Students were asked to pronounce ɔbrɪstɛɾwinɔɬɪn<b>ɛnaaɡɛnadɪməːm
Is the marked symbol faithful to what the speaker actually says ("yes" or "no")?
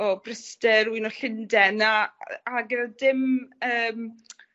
no